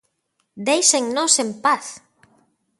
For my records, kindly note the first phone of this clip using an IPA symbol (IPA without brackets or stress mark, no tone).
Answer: d̪